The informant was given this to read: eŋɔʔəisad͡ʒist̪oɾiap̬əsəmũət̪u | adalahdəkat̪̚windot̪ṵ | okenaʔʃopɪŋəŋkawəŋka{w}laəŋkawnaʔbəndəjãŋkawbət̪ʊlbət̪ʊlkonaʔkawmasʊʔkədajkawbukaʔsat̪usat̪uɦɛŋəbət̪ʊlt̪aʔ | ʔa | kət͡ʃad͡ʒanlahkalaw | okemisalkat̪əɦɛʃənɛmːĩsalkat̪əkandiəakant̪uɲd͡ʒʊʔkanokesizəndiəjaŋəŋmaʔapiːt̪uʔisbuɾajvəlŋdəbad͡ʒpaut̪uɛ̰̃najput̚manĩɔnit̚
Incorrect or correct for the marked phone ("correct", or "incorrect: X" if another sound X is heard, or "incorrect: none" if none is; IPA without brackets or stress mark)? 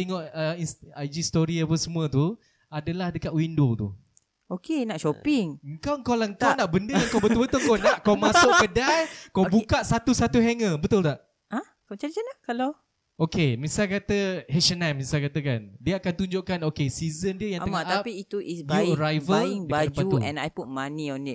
correct